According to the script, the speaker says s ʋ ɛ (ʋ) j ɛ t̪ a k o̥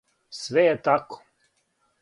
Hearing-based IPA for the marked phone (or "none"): none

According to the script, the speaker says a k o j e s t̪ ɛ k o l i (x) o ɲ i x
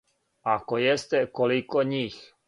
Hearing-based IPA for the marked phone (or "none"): k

